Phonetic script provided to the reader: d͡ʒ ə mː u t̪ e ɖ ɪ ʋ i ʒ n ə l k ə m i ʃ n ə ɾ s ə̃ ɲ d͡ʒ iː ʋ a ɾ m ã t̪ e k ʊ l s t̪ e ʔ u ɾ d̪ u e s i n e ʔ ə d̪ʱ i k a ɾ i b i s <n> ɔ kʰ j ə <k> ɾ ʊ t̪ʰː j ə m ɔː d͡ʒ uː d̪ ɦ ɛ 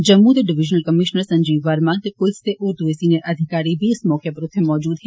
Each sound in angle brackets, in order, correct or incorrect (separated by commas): incorrect, incorrect